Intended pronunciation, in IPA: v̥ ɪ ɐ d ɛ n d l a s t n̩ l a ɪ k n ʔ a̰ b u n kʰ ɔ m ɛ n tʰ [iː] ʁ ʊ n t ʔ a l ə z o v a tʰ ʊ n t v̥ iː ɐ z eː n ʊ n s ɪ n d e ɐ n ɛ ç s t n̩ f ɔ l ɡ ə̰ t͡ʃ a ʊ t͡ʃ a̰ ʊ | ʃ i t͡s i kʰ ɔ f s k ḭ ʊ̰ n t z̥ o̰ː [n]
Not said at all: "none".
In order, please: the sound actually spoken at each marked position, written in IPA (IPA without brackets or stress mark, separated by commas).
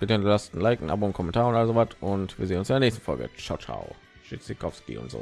aː, none